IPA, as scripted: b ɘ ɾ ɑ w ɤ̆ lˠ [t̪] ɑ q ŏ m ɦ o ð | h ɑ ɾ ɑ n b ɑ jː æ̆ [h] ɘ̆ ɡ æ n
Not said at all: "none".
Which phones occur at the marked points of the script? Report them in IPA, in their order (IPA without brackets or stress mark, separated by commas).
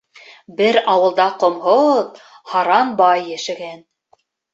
d̪, ʃ